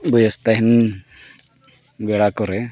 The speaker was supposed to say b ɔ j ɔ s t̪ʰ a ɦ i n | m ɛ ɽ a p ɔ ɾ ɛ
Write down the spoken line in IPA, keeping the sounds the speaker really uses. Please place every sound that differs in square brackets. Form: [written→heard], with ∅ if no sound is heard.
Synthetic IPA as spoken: b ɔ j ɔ s [t̪ʰ→t̪] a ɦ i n | [m→b] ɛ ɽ a [p→k] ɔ ɾ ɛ